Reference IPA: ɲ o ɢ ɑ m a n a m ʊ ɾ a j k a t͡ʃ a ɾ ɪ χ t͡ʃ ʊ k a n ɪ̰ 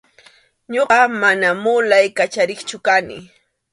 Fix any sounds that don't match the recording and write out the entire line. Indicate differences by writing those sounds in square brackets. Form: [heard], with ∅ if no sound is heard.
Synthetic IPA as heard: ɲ o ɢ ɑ m a n a m ʊ [l] a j k a t͡ʃ a ɾ ɪ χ t͡ʃ ʊ k a n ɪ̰